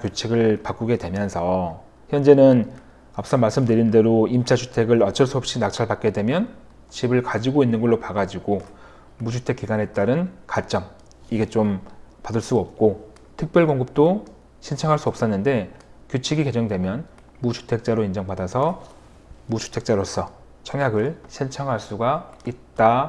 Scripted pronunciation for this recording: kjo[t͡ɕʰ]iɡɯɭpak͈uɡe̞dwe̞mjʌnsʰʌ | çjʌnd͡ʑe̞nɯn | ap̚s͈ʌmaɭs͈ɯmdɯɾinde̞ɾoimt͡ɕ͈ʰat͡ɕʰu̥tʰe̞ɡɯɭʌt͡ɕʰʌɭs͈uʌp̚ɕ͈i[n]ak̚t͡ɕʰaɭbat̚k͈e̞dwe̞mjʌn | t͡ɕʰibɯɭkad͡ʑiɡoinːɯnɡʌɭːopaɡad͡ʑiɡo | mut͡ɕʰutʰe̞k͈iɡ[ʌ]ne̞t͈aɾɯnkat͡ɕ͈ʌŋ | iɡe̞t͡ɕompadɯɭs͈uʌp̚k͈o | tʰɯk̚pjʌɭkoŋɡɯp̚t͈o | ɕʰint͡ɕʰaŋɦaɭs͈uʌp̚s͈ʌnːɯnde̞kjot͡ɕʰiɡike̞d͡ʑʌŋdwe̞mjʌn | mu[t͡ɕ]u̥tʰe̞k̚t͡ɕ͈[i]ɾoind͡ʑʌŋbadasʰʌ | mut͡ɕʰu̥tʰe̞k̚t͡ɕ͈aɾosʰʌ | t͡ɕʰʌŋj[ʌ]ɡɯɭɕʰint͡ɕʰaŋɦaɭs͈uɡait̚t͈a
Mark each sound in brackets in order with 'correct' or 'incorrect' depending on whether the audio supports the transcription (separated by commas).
correct, correct, incorrect, incorrect, incorrect, incorrect